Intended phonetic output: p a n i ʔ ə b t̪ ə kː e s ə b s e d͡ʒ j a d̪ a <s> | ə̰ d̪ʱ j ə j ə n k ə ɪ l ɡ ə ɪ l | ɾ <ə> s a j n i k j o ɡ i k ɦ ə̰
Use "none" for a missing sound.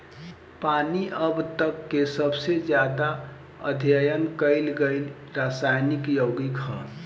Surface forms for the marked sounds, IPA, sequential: none, a

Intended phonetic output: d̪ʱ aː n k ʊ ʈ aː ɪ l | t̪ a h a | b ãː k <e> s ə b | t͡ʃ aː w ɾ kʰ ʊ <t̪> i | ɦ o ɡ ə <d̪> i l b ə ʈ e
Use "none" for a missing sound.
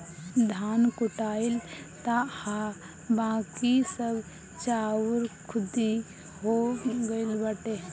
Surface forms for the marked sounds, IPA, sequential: i, d̪, none

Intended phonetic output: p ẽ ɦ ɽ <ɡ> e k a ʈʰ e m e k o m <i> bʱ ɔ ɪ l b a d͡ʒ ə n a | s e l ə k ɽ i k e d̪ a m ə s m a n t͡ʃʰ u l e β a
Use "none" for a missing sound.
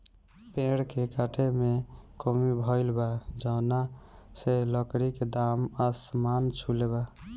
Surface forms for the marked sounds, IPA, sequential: k, i

